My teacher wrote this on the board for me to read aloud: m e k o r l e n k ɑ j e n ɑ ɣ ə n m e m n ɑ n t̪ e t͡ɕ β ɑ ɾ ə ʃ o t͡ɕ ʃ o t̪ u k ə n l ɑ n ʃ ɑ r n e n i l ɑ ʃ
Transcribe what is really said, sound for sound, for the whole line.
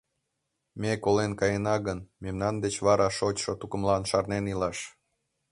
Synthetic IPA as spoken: m e k o l e n k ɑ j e n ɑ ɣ ə n m e m n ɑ n d̪ e t͡ɕ β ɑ ɾ ɑ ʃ o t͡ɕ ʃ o t̪ u k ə m l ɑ n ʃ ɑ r n e n i l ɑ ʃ